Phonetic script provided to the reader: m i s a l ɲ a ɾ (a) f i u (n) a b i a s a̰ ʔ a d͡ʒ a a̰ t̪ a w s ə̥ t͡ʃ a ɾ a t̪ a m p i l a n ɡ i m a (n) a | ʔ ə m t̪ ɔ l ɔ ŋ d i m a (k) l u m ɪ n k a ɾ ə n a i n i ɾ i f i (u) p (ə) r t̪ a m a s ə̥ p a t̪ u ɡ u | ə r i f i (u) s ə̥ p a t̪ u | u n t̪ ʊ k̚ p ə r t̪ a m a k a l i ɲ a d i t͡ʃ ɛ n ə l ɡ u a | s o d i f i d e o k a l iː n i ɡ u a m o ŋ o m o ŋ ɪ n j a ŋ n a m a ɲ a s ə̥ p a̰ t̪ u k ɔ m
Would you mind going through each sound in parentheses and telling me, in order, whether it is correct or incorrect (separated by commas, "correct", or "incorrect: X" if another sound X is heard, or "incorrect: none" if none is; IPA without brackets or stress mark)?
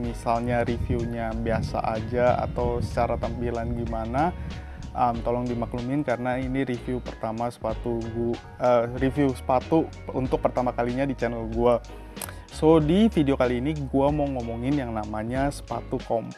incorrect: i, incorrect: ɲ, correct, correct, correct, correct, correct